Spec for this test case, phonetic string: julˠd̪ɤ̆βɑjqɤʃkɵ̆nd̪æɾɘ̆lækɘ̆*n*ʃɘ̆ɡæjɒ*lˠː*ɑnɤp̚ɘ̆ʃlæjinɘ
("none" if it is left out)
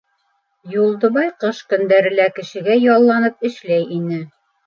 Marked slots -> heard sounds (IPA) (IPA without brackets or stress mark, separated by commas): none, lˠː